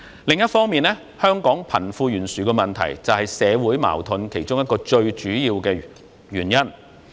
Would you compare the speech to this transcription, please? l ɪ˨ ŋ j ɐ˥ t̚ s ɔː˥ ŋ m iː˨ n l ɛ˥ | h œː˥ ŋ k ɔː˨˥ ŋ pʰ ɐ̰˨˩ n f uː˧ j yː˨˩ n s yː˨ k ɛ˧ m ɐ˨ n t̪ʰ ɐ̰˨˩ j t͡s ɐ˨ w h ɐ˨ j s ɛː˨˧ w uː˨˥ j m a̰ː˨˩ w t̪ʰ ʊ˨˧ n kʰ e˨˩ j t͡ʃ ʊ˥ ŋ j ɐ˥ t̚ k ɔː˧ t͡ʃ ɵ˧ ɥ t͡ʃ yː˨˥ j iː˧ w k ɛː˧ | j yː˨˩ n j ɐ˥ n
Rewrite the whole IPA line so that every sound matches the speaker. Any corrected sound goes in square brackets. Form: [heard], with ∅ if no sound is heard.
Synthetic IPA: l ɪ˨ ŋ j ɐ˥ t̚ [f] ɔː˥ ŋ m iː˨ n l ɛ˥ | h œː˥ ŋ k ɔː˨˥ ŋ pʰ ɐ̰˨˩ n f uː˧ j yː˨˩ n s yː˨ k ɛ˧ m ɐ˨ n t̪ʰ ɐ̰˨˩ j t͡s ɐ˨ w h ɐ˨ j s ɛː˨˧ w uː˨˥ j m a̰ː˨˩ w t̪ʰ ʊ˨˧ n kʰ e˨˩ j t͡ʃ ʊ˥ ŋ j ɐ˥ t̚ k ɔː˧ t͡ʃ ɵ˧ ɥ t͡ʃ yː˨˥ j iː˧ w k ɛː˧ | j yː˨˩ n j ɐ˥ n

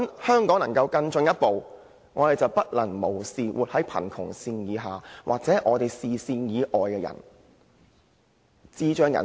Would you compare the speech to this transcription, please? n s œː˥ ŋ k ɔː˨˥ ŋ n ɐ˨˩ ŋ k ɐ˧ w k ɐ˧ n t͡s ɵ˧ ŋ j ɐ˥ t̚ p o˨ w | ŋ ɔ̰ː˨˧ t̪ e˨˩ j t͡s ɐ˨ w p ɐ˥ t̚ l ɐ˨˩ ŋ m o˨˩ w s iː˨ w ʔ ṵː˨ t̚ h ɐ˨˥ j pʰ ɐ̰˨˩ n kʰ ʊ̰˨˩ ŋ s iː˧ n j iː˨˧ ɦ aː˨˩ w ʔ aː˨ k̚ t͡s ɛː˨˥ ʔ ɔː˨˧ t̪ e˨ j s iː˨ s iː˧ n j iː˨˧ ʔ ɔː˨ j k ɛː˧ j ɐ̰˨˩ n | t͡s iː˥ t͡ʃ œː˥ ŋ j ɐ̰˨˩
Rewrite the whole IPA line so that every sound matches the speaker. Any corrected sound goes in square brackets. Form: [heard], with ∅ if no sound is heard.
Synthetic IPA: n [h] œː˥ ŋ k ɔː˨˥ ŋ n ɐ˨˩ ŋ k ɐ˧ w k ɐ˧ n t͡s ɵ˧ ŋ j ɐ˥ t̚ p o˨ w | ŋ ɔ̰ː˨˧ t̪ e˨˩ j t͡s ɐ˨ w p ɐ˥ t̚ l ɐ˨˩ ŋ m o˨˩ w s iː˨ w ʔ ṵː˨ t̚ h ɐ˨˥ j pʰ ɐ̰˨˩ n kʰ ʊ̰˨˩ ŋ s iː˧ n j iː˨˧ ɦ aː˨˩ w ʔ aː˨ k̚ t͡s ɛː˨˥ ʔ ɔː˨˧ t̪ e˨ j s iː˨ s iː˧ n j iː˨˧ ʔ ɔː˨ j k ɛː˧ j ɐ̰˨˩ n | t͡s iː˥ t͡ʃ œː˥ ŋ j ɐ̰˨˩

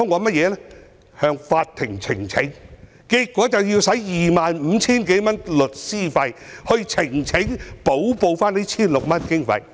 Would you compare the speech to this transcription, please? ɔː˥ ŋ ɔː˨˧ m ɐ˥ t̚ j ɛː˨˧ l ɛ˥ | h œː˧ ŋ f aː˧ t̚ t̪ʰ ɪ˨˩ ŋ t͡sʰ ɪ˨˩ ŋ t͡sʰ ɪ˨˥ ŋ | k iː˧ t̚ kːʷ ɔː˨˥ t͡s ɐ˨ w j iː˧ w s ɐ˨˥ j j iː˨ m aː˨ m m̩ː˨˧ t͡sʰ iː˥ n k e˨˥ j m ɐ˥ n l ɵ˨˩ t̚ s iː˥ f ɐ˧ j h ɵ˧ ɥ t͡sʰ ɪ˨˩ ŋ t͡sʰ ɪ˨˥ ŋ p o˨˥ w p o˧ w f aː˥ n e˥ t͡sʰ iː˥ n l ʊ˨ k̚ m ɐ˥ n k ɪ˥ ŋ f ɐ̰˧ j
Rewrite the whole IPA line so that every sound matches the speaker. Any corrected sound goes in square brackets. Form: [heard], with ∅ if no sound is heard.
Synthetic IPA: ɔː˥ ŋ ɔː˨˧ m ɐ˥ t̚ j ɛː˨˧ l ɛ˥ | h œː˧ ŋ f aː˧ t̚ t̪ʰ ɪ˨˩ ŋ t͡sʰ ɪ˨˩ ŋ t͡sʰ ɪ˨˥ ŋ | k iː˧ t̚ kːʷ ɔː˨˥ t͡s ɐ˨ w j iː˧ w s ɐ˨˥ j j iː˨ m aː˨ [n] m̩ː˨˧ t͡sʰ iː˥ n k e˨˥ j m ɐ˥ n l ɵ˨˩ t̚ s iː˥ f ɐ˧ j h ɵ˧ ɥ t͡sʰ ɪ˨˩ ŋ t͡sʰ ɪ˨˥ ŋ p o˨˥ w p o˧ w f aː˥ n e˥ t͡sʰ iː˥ n l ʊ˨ k̚ m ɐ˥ n k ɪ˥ ŋ f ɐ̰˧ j

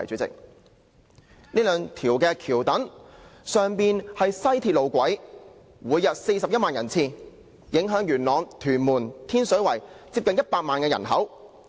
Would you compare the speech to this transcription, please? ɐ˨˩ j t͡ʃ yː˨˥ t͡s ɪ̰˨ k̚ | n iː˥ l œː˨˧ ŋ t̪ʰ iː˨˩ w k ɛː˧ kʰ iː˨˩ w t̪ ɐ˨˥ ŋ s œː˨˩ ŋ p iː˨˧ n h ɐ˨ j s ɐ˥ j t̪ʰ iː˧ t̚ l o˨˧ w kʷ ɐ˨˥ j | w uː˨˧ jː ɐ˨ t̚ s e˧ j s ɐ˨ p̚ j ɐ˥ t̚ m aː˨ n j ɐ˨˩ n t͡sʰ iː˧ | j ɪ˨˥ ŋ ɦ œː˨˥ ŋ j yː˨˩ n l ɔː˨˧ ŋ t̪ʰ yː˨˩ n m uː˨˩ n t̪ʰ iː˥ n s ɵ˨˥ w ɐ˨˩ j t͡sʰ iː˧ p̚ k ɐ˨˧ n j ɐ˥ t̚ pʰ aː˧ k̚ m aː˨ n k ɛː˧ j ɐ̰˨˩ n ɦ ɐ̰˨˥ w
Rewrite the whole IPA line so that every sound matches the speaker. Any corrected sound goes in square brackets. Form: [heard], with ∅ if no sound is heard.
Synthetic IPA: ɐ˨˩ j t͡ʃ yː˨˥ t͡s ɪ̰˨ k̚ | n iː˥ l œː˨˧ ŋ t̪ʰ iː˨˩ w k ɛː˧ kʰ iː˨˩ w t̪ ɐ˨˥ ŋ s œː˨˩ ŋ p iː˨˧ n h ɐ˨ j s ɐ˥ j t̪ʰ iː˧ t̚ l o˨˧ w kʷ ɐ˨˥ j | w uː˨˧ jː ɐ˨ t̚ s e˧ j s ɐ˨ p̚ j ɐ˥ t̚ m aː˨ n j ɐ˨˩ n t͡sʰ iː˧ | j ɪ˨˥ ŋ ɦ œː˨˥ ŋ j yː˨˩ n l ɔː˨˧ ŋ t̪ʰ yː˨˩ n m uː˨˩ n t̪ʰ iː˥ n s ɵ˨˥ w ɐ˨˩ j [t͡s] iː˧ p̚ k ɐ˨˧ n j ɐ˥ t̚ [p] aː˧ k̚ m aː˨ n k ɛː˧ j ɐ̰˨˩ n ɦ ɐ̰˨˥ w

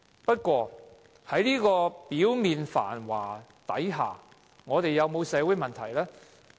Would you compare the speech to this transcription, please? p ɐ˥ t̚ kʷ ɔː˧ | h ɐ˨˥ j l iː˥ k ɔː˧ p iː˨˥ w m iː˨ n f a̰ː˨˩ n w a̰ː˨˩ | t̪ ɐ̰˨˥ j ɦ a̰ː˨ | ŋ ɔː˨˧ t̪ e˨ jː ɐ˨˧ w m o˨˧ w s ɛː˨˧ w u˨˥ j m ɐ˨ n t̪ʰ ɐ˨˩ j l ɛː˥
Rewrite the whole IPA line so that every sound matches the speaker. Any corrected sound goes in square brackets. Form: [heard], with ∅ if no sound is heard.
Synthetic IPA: p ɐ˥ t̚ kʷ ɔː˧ | h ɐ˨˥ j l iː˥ k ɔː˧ p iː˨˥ w m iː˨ n f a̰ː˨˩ n w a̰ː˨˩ | t̪ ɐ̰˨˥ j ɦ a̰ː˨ | ŋ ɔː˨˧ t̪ e˨ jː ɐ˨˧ w m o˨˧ w s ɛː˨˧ w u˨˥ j m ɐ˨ n t̪ʰ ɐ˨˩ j l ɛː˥

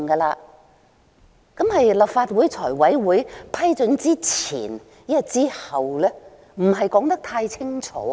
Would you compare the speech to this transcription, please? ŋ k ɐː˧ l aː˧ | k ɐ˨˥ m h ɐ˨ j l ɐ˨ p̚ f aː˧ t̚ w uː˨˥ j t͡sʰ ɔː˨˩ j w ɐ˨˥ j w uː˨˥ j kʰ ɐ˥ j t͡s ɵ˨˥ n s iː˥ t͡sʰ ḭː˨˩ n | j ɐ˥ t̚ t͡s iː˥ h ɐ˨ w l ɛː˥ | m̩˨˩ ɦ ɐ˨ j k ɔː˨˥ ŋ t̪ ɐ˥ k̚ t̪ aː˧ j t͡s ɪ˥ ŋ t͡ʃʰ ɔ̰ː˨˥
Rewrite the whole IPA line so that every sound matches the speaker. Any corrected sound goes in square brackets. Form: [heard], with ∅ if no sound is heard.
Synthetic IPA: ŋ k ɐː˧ l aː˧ | k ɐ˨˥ m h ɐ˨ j l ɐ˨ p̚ f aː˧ t̚ w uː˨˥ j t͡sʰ ɔː˨˩ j w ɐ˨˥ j w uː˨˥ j [pʰ] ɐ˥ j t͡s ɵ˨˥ n [t͡s] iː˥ t͡sʰ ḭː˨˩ n | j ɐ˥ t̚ t͡s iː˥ h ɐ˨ w l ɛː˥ | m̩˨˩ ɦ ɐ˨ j k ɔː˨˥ ŋ t̪ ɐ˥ k̚ [t̪ʰ] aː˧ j [t͡sʰ] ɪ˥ ŋ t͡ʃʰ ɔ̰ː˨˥

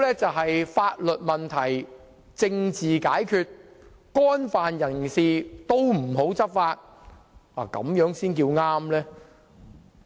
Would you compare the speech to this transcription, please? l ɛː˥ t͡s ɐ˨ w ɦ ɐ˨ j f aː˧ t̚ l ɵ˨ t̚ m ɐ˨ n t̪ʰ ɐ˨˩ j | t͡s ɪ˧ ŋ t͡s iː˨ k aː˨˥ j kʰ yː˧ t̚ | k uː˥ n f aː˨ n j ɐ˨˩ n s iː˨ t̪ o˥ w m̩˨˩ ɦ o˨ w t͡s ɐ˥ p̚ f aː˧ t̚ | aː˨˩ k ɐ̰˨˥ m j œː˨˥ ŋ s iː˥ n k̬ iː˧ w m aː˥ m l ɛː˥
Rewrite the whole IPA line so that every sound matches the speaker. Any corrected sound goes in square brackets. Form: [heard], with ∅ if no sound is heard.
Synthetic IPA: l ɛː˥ t͡s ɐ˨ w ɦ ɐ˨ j f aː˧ t̚ l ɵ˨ t̚ m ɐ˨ n t̪ʰ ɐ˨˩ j | t͡s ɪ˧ ŋ t͡s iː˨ k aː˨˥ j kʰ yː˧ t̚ | k [ɔː˥] n f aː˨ n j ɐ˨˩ n s iː˨ t̪ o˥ w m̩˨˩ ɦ [o˨˥] w t͡s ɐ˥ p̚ f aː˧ t̚ | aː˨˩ k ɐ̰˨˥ m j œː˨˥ ŋ s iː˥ n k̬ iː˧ w [ŋ] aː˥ m l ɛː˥

